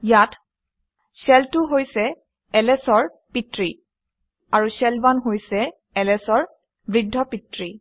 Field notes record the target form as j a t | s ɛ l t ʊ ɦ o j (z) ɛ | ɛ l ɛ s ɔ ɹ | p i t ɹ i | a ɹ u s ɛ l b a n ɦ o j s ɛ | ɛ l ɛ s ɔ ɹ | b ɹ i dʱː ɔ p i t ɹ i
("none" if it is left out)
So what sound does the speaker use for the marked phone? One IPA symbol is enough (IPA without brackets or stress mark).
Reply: s